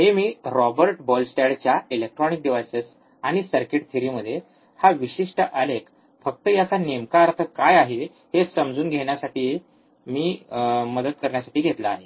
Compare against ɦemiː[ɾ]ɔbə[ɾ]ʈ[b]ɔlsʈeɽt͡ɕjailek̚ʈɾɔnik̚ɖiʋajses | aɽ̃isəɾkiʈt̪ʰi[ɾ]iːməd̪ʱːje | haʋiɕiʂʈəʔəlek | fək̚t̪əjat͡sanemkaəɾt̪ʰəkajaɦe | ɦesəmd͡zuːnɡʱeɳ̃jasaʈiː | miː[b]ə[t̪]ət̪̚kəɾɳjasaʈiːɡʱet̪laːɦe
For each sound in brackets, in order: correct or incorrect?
correct, correct, correct, correct, incorrect, incorrect

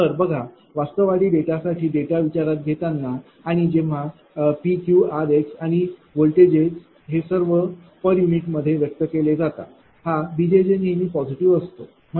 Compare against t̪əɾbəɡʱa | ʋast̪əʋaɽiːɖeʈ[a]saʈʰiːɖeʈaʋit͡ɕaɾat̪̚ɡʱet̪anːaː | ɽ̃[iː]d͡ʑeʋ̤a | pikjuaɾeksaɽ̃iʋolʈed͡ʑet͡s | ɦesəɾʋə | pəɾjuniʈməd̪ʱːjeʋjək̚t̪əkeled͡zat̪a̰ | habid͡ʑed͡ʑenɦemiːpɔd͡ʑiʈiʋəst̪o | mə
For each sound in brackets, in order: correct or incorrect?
correct, incorrect

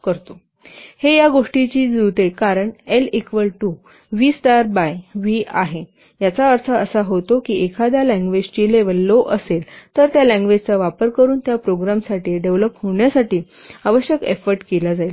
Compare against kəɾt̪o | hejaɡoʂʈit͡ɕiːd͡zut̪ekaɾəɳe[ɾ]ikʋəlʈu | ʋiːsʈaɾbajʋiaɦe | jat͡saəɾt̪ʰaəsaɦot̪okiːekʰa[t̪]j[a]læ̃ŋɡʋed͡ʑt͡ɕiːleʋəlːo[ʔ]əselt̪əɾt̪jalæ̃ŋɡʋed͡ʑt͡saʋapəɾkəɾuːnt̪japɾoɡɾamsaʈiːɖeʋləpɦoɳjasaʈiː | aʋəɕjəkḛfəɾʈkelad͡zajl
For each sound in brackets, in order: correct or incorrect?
incorrect, incorrect, correct, correct

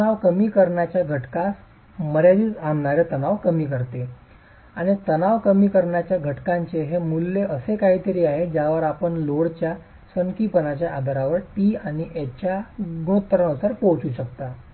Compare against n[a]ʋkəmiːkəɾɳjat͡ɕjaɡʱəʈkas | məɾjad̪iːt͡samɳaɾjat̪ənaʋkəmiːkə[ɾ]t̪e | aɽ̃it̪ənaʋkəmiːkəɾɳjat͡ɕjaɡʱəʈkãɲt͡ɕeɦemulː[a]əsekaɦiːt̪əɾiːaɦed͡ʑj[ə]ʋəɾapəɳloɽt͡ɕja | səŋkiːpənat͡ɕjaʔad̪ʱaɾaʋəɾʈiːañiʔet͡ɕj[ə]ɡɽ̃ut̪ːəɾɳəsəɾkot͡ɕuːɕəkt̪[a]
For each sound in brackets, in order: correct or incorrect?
correct, correct, incorrect, incorrect, incorrect, correct

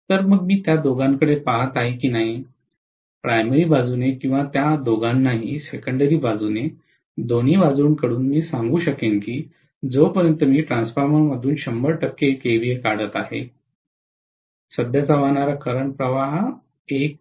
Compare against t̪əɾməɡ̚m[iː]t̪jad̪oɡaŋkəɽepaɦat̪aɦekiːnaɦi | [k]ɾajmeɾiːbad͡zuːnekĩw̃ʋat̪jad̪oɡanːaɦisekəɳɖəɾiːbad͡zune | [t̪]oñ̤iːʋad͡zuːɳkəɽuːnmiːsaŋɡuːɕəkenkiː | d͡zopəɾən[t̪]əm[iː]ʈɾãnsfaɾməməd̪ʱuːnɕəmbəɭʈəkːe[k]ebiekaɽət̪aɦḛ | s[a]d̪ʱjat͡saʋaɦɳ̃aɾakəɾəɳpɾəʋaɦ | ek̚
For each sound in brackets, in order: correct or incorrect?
correct, incorrect, incorrect, correct, correct, correct, incorrect

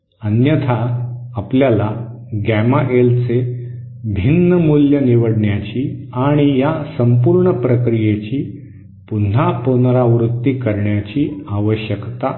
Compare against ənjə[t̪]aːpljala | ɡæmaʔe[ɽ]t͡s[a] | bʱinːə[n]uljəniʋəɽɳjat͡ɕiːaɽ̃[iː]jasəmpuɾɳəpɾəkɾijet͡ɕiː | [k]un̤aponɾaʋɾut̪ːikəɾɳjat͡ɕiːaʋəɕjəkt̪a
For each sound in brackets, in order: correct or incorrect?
incorrect, incorrect, incorrect, incorrect, incorrect, incorrect

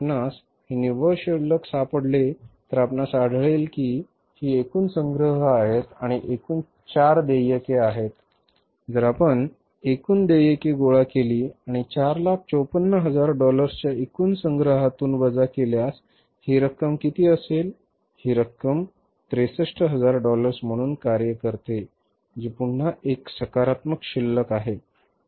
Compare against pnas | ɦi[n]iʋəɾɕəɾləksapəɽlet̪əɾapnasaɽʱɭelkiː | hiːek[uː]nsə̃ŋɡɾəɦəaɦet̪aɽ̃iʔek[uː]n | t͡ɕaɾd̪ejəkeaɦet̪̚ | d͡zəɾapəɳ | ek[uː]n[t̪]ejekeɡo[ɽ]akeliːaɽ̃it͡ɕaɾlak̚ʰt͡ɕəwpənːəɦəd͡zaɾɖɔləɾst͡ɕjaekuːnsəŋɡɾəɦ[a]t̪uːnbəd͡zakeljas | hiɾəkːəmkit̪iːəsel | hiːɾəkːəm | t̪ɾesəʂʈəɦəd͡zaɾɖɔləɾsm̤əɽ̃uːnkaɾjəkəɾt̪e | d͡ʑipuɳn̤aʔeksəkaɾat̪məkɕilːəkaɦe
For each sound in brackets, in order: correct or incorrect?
correct, correct, correct, correct, incorrect, incorrect, correct

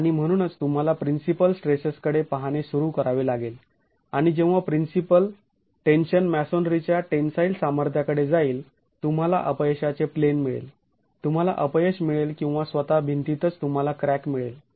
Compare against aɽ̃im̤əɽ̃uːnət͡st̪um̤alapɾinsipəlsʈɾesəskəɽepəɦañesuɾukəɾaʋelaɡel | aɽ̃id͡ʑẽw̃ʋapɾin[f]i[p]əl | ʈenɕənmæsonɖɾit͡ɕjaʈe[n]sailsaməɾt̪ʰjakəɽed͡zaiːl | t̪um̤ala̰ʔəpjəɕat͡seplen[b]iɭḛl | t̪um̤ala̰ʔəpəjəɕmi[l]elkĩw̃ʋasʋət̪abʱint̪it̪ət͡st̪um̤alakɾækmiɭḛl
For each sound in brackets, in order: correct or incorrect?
incorrect, correct, correct, incorrect, incorrect

